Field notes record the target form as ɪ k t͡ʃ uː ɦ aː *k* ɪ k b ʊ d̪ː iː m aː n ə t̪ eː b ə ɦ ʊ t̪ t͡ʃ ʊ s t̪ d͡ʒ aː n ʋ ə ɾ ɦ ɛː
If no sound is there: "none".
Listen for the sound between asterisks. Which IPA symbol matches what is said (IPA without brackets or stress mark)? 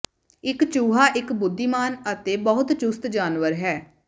ʔ